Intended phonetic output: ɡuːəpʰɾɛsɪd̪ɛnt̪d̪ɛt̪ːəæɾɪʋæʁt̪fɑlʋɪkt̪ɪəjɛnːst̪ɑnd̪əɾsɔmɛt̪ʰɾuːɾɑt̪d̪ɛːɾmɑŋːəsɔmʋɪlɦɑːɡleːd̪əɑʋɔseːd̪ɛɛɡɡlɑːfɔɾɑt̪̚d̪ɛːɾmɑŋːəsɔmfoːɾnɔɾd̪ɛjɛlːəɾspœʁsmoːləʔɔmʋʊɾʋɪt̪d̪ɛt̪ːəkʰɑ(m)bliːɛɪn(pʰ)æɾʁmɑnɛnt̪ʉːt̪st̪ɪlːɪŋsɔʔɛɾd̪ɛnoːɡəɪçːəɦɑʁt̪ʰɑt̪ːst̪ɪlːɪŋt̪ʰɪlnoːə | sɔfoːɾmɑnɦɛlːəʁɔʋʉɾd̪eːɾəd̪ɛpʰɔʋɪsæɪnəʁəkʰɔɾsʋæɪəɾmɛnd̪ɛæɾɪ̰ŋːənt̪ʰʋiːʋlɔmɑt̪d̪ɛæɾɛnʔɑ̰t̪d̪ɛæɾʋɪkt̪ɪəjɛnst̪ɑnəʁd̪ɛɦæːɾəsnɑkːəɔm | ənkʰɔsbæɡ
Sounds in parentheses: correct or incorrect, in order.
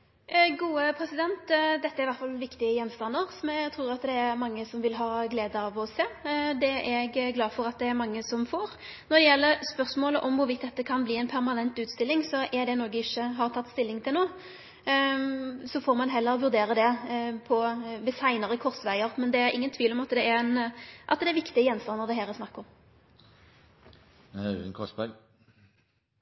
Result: incorrect, correct

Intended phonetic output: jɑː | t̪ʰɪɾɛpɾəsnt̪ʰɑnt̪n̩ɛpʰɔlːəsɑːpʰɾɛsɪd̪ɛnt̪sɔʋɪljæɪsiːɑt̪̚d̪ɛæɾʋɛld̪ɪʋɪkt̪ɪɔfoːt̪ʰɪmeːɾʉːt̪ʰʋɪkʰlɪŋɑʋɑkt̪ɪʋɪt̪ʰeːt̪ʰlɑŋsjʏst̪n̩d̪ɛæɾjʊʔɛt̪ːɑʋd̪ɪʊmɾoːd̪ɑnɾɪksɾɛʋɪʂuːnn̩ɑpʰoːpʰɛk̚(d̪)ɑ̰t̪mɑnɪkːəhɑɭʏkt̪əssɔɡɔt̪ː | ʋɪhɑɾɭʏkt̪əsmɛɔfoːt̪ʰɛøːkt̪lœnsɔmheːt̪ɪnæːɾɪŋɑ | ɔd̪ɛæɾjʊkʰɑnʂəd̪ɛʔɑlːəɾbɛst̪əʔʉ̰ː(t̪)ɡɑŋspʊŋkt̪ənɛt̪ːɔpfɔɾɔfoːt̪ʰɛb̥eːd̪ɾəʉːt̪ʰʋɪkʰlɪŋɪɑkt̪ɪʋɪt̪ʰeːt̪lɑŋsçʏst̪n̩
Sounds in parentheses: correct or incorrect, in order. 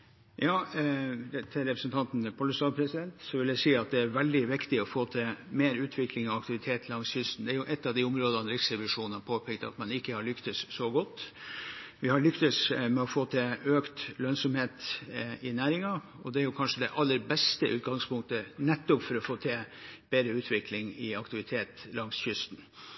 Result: incorrect, correct

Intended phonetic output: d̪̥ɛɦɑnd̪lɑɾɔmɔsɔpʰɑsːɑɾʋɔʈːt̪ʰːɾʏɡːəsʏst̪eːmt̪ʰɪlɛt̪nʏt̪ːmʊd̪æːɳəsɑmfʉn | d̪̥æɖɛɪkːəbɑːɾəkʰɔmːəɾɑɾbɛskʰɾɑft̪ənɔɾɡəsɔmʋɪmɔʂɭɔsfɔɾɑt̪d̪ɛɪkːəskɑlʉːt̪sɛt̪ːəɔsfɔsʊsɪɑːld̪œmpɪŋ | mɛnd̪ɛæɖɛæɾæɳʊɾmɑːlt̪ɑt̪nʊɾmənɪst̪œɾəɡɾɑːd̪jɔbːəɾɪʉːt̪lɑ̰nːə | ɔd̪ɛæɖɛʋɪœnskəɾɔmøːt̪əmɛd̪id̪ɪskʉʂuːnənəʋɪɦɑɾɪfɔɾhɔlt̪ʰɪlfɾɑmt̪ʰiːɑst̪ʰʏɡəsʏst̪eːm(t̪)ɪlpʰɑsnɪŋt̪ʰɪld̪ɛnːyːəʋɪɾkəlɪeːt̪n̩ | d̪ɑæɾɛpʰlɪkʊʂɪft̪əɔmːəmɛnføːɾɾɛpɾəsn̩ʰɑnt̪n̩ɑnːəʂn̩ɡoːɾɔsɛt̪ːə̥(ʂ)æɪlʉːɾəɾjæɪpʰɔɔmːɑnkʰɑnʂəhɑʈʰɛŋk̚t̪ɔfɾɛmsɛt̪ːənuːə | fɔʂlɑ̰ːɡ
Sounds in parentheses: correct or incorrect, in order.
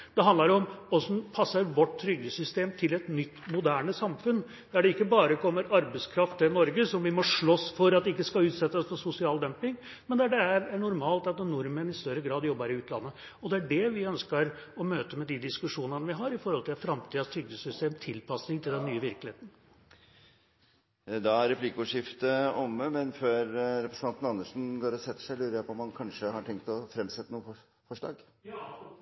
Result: incorrect, correct

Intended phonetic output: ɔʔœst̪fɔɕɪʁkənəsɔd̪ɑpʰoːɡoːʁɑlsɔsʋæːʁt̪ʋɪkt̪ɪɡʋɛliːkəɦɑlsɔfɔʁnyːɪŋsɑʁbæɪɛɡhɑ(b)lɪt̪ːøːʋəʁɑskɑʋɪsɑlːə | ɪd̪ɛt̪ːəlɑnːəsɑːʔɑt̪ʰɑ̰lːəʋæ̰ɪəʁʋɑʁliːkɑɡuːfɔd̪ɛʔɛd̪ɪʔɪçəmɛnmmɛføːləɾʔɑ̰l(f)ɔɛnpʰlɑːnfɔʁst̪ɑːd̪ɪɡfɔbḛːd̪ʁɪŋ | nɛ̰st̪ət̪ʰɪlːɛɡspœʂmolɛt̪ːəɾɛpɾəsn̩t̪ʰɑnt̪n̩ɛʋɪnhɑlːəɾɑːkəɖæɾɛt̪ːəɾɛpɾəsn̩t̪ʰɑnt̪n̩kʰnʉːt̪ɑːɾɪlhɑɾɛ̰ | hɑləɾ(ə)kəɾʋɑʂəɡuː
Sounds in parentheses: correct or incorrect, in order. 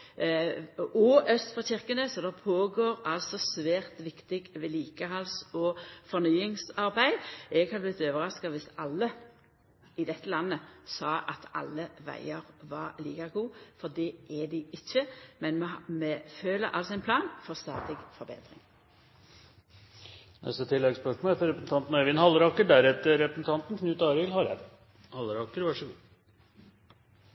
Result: correct, incorrect, incorrect

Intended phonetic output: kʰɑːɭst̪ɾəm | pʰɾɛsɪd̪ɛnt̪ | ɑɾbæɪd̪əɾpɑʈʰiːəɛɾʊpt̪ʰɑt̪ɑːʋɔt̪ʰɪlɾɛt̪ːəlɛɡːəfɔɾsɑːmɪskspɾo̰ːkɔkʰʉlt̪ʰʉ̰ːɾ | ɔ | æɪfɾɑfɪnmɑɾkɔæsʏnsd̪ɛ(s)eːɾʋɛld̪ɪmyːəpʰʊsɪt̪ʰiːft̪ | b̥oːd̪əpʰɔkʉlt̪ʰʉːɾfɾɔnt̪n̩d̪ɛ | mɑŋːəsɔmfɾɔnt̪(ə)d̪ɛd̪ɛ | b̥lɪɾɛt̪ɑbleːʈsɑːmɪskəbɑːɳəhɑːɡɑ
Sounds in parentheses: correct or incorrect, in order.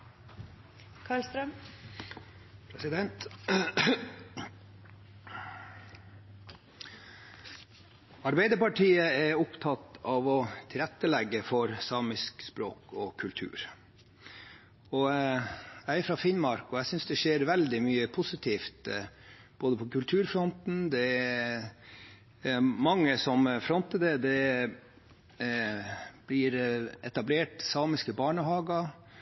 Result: incorrect, correct

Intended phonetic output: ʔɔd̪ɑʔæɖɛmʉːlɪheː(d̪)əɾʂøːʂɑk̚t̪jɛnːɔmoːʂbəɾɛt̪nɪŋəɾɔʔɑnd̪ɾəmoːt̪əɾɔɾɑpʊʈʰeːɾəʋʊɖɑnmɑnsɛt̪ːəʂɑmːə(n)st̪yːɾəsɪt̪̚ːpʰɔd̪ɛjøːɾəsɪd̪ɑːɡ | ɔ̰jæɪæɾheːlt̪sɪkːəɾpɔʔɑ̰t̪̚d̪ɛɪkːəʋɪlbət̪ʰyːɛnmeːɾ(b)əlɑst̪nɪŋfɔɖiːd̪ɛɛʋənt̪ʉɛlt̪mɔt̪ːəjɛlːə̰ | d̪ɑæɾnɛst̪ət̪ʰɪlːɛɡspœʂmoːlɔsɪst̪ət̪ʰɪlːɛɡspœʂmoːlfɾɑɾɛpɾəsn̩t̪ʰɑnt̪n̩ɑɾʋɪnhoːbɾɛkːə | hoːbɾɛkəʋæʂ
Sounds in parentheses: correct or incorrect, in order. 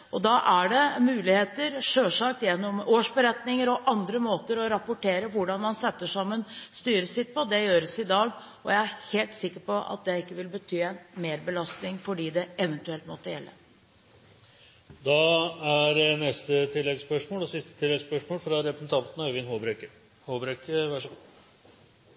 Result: incorrect, correct, correct

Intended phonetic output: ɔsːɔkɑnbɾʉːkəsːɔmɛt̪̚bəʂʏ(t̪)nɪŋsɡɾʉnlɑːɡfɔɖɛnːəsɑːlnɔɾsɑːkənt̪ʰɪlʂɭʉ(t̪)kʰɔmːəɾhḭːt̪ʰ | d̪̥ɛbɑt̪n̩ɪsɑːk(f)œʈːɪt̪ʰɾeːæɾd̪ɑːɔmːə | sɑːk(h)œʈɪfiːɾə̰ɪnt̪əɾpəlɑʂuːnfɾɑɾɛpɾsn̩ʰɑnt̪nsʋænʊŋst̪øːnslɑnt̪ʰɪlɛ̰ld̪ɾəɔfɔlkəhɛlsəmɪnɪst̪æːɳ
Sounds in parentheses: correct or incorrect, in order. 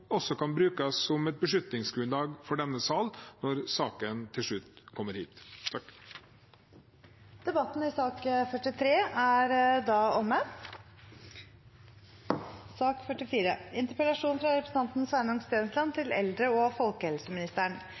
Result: correct, correct, correct, incorrect

